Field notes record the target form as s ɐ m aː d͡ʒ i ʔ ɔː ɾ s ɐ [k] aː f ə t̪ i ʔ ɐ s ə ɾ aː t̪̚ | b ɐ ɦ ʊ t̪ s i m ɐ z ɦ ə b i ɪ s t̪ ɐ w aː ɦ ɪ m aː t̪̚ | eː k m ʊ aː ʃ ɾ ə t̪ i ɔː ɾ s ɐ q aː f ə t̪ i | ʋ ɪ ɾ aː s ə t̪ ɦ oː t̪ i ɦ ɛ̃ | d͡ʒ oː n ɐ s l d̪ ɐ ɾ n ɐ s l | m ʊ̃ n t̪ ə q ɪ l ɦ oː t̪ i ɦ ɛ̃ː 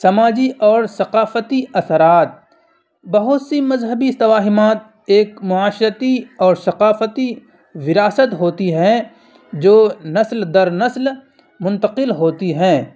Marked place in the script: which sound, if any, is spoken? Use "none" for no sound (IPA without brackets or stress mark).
q